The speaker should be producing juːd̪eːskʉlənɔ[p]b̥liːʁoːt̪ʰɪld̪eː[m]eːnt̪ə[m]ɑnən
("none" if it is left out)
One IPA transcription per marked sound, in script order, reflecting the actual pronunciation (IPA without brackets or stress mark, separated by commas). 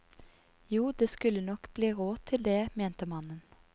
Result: k, m, m